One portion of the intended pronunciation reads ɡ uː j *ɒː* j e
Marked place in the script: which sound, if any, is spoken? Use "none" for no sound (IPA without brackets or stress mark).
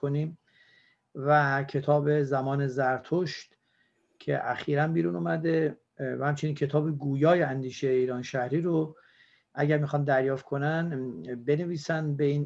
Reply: ɒː